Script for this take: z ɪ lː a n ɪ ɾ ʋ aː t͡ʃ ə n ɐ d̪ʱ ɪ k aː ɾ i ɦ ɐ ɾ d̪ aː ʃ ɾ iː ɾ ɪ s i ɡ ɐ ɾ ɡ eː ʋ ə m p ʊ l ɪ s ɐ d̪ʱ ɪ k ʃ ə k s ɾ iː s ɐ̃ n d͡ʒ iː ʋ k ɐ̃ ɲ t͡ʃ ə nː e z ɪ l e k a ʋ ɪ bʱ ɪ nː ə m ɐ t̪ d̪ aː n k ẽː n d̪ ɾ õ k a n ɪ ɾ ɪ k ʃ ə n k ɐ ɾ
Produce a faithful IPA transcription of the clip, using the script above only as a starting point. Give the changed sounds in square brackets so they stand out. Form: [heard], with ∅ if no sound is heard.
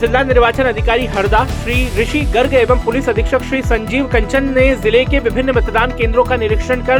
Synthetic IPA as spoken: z ɪ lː a n ɪ ɾ ʋ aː t͡ʃ ə n ɐ d̪ʱ ɪ k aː ɾ i ɦ ɐ ɾ d̪ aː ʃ ɾ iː ɾ ɪ [ʃ] i ɡ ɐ ɾ ɡ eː ʋ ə m p ʊ l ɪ s ɐ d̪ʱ ɪ k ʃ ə k [ʃ] ɾ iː s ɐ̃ [ɲ] d͡ʒ iː ʋ k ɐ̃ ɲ t͡ʃ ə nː e z ɪ l e k [e] ʋ ɪ bʱ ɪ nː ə m ɐ t̪ d̪ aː n k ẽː n d̪ ɾ õ k a n ɪ ɾ ɪ k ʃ ə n k ɐ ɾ